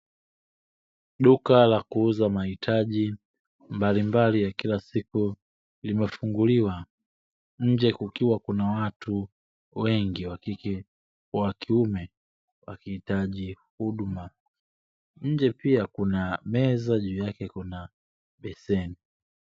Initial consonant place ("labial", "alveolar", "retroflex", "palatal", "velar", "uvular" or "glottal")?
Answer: alveolar